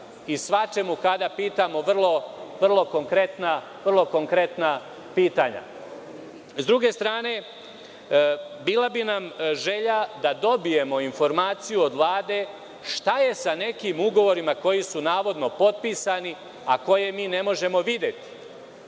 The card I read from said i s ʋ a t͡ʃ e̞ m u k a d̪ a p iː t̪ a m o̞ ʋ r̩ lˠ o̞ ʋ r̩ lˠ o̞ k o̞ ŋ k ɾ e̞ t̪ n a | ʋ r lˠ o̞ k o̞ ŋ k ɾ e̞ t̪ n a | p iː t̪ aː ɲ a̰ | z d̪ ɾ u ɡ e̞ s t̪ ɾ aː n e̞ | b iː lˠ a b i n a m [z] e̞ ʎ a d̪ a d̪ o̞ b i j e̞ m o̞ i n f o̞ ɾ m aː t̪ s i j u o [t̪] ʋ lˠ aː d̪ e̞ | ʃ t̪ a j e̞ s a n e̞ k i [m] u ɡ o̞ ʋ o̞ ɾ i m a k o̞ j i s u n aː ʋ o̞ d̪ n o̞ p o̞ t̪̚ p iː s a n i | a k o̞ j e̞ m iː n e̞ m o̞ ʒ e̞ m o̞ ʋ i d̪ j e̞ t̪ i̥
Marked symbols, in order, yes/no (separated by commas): no, no, yes